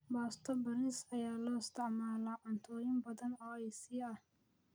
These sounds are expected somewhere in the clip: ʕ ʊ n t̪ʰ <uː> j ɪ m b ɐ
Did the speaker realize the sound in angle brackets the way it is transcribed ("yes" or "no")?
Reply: no